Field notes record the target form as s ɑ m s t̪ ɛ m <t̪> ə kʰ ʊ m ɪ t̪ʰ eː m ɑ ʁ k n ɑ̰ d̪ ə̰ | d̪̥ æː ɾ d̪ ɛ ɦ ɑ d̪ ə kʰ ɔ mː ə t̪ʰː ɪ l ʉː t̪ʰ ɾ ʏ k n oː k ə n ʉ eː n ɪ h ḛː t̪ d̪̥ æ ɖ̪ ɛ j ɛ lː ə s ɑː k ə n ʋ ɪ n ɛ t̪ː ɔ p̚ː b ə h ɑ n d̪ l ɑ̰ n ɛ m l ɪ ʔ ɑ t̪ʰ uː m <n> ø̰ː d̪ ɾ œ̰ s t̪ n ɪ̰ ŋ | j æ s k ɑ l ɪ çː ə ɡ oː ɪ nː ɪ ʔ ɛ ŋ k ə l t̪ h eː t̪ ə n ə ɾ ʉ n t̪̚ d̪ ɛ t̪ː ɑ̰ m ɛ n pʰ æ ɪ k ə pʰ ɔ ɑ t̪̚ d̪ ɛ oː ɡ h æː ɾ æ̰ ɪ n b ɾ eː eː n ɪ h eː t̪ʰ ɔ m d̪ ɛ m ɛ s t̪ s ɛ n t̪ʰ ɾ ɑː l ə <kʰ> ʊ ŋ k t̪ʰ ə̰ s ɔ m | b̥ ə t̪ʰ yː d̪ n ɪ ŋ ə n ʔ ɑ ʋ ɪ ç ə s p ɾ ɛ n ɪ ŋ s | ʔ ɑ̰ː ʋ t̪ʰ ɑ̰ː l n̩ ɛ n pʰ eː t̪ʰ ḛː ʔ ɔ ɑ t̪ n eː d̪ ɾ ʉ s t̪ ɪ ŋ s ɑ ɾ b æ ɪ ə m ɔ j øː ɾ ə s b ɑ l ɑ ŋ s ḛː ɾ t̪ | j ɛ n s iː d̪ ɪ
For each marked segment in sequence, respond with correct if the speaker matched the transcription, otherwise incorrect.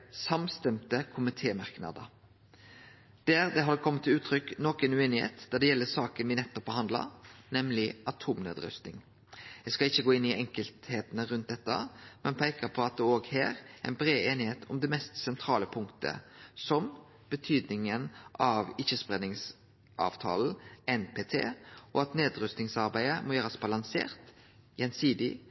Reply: correct, correct, incorrect

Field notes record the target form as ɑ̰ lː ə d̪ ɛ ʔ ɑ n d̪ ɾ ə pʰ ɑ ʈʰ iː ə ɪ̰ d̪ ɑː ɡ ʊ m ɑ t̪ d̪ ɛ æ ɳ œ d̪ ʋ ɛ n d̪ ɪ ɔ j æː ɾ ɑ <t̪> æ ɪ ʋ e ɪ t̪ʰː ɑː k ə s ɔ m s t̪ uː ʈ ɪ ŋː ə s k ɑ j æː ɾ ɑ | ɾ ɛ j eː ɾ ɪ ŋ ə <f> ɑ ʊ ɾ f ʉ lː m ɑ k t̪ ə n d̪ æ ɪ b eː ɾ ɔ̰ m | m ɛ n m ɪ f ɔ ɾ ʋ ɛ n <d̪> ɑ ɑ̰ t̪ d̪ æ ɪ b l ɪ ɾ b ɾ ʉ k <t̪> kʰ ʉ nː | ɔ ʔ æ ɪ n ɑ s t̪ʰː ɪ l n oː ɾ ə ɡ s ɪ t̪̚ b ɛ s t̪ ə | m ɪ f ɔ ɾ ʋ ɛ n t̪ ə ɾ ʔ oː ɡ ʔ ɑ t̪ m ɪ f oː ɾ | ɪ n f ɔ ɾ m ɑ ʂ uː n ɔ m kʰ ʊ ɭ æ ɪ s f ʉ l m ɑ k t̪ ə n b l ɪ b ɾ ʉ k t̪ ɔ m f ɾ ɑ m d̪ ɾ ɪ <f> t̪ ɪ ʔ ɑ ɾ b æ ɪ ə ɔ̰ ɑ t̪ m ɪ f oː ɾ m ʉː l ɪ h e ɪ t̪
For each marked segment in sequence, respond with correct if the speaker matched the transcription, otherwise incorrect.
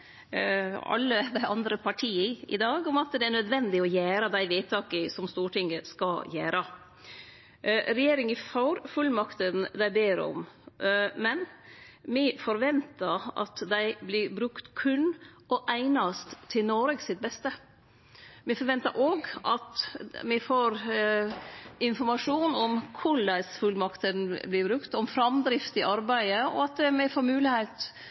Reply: incorrect, correct, incorrect, correct, correct

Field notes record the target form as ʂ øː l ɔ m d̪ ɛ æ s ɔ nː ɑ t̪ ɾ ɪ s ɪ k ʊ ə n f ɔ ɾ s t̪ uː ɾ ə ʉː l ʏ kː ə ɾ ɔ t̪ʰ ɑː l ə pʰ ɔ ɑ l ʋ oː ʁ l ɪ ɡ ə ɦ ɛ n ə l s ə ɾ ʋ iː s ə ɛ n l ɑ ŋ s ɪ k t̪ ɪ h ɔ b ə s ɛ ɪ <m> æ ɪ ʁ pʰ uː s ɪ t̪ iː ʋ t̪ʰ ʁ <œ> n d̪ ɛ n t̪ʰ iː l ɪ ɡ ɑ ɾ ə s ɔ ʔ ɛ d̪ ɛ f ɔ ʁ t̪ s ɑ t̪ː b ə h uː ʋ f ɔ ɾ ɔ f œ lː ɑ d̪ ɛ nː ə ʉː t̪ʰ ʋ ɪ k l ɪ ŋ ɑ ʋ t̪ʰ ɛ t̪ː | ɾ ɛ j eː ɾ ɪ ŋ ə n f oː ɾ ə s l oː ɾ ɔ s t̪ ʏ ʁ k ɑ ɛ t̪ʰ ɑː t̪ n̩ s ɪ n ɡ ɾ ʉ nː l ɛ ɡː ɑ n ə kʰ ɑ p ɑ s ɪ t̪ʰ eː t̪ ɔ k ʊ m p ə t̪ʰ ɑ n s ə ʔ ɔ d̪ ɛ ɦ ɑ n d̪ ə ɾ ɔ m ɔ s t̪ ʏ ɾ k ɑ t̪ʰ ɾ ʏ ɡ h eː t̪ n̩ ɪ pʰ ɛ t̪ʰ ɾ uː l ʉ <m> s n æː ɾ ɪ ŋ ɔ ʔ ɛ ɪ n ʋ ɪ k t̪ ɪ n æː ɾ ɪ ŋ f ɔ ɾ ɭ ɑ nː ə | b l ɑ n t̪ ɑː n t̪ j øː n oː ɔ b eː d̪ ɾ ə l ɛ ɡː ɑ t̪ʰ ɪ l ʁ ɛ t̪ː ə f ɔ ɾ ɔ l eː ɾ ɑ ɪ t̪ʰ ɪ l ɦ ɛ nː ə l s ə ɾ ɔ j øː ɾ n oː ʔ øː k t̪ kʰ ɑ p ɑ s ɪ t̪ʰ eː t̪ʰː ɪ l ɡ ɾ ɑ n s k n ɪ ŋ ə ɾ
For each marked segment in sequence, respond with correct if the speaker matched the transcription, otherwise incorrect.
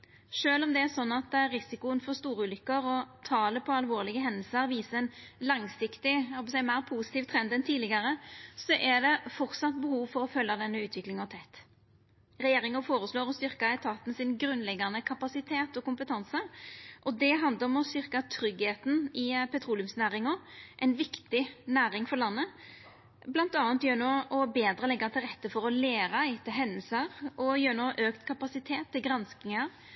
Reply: correct, incorrect, correct

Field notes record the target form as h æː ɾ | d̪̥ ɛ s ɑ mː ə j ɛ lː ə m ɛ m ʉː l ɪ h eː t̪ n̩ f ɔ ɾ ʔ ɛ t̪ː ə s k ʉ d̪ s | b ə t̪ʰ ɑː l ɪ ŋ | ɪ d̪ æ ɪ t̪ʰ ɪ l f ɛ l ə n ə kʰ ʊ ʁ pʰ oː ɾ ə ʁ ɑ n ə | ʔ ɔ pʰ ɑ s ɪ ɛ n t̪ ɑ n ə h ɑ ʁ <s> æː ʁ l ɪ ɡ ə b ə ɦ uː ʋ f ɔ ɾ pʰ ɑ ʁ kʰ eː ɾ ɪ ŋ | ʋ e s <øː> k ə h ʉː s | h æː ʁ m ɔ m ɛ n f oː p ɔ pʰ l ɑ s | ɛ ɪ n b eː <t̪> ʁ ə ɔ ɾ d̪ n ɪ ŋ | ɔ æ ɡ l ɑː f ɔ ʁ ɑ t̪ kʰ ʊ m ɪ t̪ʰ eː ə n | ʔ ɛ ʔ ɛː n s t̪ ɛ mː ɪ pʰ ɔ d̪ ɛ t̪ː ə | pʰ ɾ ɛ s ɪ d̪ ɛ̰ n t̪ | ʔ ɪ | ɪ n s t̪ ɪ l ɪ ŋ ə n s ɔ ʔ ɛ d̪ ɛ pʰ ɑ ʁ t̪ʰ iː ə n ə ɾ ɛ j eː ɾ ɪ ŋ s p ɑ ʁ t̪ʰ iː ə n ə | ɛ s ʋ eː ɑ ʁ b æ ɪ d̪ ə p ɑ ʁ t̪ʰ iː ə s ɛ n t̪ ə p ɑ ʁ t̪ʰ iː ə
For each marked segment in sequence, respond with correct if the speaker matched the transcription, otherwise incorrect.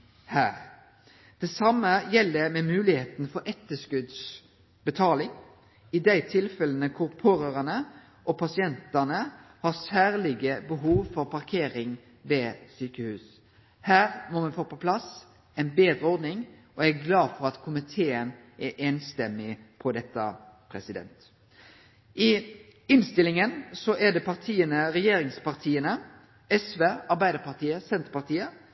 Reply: correct, incorrect, incorrect

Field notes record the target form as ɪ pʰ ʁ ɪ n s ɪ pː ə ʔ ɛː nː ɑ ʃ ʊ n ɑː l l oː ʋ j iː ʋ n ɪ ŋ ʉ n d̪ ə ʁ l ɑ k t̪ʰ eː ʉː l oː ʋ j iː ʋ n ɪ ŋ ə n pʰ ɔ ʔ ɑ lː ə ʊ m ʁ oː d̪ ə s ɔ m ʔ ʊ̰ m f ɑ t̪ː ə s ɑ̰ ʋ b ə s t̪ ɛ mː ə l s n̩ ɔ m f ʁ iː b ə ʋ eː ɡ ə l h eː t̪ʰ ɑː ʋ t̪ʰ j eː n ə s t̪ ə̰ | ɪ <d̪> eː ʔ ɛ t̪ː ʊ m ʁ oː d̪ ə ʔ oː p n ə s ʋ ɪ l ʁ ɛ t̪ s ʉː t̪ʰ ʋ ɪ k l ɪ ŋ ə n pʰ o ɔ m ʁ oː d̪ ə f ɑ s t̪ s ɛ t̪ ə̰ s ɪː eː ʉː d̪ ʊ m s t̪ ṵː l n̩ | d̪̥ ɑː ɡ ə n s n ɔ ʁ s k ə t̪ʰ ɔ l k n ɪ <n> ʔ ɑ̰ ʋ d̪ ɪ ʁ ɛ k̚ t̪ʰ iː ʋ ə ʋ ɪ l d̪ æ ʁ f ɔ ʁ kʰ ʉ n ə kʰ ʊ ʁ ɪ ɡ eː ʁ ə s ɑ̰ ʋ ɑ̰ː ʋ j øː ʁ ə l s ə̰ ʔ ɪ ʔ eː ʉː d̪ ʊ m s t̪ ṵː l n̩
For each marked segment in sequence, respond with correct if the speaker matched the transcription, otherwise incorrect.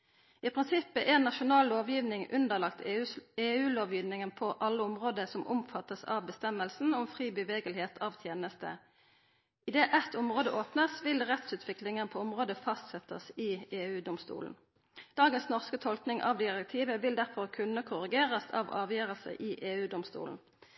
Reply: correct, incorrect

